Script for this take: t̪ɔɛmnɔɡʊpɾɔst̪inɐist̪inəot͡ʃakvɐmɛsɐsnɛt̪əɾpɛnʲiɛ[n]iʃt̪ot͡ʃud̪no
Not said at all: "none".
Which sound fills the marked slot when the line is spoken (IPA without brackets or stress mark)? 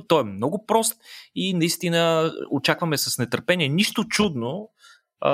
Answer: n